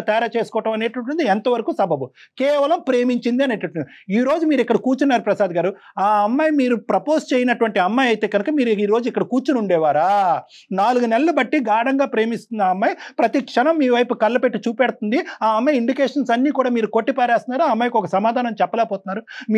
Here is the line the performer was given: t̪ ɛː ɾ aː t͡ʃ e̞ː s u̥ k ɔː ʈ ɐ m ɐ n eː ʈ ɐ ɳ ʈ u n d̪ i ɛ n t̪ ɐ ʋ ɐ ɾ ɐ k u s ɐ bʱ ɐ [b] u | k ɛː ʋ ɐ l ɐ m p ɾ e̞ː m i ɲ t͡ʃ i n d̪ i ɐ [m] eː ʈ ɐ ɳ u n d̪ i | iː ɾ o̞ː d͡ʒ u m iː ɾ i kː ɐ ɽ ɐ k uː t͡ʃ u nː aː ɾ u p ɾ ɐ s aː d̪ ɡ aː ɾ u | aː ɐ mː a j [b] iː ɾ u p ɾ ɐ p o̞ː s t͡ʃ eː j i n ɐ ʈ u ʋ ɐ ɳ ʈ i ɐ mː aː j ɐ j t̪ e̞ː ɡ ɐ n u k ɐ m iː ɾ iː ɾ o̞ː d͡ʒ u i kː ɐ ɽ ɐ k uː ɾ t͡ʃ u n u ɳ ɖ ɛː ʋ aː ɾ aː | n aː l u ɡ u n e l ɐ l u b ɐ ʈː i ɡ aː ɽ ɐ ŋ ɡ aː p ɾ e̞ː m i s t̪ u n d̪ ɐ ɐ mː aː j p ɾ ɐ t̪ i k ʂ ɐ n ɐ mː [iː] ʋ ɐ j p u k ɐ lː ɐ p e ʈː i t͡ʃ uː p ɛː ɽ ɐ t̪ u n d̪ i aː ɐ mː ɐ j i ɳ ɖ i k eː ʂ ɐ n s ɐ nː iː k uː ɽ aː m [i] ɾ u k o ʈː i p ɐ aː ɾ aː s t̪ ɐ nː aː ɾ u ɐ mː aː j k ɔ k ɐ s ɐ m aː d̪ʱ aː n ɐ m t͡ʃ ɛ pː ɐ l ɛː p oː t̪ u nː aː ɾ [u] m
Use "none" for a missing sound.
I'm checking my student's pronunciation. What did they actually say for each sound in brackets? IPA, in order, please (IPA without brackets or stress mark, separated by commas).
b, n, m, iː, iː, u